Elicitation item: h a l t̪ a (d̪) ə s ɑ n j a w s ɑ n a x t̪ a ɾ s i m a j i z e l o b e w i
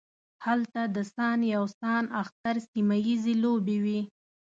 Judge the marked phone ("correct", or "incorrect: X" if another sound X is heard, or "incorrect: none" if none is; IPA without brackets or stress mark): correct